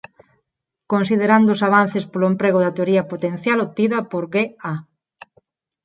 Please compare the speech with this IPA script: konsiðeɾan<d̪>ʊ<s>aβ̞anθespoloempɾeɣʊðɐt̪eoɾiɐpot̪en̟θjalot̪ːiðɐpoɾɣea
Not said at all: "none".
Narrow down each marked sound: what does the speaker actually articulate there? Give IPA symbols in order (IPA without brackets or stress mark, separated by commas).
d̪, s